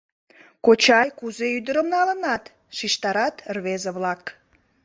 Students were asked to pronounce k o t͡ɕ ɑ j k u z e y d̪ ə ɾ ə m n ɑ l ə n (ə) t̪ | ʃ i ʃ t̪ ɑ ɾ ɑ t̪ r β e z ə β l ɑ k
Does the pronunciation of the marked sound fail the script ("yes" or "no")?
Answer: yes